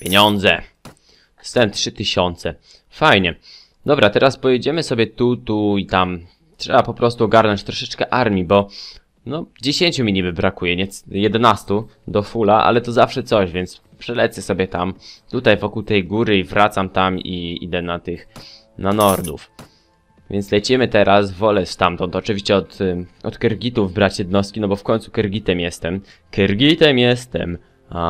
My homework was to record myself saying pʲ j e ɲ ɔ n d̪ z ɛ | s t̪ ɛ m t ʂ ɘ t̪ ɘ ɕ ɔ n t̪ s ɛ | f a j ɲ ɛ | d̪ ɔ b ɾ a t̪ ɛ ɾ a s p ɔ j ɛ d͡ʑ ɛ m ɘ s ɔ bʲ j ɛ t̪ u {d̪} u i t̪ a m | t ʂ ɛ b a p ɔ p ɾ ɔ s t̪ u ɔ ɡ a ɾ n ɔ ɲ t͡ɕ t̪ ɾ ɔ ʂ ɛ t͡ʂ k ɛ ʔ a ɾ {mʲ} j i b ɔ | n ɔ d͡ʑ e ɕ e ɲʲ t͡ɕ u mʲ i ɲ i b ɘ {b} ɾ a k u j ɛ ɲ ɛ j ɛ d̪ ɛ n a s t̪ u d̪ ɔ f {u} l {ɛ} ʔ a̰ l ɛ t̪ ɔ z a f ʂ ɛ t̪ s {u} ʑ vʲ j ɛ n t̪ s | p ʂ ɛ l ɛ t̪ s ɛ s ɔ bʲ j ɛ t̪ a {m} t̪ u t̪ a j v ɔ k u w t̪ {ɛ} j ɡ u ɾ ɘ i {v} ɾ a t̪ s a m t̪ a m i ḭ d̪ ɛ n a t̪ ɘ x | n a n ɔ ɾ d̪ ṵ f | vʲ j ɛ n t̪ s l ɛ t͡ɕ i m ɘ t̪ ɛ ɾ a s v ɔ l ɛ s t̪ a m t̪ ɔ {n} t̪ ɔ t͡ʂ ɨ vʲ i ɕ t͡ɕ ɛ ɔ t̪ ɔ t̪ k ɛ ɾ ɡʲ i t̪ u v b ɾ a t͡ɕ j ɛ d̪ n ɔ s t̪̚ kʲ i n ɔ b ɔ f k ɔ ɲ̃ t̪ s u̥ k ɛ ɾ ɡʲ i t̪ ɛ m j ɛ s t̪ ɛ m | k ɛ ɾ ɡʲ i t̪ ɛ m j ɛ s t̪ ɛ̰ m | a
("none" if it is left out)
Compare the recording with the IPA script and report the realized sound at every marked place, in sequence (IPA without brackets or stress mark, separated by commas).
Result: t̪, mʲ, b, u, a, ɔ, m, ɛ, v, n